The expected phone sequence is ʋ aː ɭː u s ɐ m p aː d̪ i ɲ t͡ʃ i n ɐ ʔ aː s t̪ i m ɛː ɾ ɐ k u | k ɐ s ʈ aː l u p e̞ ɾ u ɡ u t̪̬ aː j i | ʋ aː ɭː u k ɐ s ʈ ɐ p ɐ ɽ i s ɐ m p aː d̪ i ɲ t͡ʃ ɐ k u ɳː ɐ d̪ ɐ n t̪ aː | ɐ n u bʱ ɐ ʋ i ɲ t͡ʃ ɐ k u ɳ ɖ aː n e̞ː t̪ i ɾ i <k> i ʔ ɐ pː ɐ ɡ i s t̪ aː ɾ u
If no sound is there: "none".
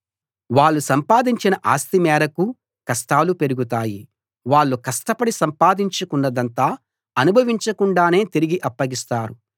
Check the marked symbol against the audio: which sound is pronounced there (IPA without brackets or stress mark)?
ɡ